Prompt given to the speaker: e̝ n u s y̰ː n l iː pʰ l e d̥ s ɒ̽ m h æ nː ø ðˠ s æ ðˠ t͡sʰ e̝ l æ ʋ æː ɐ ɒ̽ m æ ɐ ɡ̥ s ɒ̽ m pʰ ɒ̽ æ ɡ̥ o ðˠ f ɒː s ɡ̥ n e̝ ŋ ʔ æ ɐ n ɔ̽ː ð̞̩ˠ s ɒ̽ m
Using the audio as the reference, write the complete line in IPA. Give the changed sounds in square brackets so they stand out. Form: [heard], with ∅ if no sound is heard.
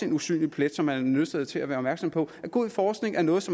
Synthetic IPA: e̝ n u s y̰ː n l [i] pʰ l e d̥ s ɒ̽ m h æ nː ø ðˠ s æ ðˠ t͡sʰ e̝ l æ ʋ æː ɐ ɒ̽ m æ ɐ ɡ̥ s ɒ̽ m pʰ ɒ̽ æ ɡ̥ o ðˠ f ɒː s ɡ̥ n e̝ ŋ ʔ æ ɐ n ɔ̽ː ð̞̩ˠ s ɒ̽ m